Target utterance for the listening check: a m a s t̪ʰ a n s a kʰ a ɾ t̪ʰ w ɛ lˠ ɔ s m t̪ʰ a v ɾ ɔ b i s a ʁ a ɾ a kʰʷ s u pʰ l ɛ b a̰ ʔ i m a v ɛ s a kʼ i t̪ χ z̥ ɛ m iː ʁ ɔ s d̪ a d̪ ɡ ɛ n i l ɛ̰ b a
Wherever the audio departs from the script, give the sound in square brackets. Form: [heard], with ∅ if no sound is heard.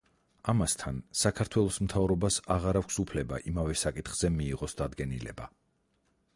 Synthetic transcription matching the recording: a m a s t̪ʰ a n s a kʰ a ɾ t̪ʰ w ɛ lˠ ɔ s m t̪ʰ a v ɾ ɔ b [a] s a ʁ a ɾ a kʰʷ s u pʰ l ɛ b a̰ ʔ i m a v ɛ s a kʼ i t̪ χ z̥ ɛ m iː ʁ ɔ s d̪ a d̪ ɡ ɛ n i l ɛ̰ b a